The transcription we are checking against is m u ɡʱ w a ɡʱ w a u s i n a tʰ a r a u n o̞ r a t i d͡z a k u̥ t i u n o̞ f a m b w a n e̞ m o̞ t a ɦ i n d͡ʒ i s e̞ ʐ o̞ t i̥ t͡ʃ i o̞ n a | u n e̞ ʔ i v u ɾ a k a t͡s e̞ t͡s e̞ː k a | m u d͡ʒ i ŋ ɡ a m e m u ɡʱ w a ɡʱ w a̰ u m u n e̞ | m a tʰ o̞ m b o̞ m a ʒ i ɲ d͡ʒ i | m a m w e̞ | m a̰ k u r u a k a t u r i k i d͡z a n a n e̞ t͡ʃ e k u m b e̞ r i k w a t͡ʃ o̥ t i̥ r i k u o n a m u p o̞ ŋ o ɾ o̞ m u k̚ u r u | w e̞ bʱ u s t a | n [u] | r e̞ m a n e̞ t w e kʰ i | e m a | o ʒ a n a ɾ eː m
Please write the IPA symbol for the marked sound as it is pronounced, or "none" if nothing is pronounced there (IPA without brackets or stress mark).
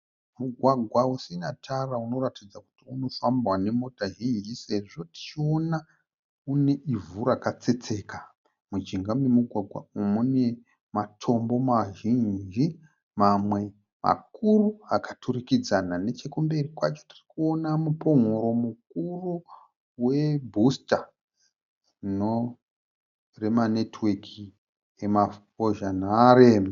o